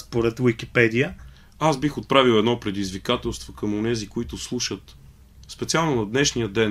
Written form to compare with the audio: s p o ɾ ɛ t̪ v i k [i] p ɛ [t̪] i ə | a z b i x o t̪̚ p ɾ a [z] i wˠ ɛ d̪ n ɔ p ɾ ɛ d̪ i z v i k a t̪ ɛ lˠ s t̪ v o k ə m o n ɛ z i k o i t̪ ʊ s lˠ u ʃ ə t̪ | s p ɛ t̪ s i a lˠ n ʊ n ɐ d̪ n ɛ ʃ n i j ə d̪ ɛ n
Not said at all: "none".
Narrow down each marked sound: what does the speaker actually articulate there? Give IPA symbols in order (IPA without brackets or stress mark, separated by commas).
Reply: i, d̪, v